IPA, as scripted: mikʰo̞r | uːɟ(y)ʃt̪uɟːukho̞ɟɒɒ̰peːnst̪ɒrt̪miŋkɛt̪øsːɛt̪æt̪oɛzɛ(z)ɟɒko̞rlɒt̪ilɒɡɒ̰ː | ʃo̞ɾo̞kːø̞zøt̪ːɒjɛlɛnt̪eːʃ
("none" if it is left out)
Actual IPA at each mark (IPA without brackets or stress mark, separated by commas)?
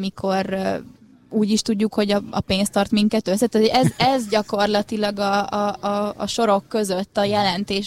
i, z